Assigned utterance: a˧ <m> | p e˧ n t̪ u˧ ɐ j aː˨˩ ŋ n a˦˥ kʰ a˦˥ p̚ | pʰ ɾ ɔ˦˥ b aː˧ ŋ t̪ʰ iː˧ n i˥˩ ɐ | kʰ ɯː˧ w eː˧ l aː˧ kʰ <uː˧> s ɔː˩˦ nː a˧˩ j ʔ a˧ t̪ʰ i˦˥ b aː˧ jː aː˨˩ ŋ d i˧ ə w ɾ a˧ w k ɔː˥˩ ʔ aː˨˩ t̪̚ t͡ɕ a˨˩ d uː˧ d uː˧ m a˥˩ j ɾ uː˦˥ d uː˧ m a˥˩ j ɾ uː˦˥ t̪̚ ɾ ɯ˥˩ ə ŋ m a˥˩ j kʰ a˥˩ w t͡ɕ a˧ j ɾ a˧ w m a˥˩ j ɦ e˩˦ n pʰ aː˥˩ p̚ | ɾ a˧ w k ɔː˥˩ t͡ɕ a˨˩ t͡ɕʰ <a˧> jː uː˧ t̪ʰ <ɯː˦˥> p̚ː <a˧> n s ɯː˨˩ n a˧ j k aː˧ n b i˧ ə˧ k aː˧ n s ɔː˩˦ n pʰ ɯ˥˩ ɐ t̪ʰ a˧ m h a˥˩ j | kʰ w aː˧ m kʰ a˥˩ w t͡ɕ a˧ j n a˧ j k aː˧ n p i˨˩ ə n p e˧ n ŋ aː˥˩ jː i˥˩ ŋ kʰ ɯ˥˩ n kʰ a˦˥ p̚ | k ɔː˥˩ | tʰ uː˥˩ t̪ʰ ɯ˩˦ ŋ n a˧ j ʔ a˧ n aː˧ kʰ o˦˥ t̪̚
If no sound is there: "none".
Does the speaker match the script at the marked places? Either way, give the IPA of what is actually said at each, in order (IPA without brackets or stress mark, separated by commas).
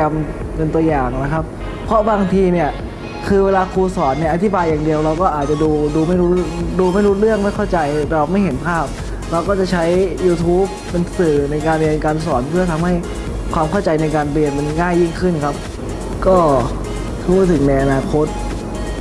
m, uː˧, a˦˥, uː˦˥, e˧